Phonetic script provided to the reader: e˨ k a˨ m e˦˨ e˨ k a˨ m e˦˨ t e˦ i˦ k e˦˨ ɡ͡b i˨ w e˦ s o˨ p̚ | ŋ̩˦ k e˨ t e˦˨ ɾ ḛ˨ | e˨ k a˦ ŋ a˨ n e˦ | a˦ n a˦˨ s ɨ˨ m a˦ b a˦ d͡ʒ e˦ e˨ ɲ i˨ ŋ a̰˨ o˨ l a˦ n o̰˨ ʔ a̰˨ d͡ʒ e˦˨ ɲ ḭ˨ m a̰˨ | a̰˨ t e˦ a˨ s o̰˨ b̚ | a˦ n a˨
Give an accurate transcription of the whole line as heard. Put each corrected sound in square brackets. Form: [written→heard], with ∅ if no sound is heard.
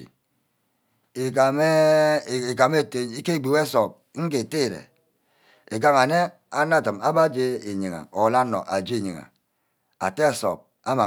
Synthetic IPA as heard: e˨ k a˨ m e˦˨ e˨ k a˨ m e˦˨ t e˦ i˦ k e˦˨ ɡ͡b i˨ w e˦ s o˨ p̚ | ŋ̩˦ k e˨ t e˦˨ ɾ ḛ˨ | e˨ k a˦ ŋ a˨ n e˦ | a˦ n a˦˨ [s→t] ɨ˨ m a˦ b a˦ d͡ʒ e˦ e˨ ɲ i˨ ŋ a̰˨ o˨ l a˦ n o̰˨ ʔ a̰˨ d͡ʒ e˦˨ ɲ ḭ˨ [m→ŋ] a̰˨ | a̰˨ t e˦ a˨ s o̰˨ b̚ | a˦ [n→m] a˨